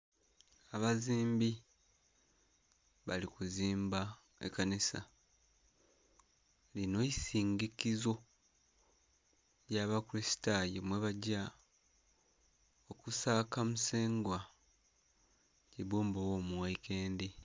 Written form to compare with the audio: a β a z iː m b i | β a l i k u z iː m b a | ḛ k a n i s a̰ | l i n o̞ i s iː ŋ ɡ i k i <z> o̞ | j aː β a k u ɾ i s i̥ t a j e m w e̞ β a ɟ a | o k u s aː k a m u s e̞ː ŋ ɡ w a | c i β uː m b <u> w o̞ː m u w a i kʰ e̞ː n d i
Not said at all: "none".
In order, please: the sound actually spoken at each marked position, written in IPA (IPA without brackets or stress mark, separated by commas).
z, o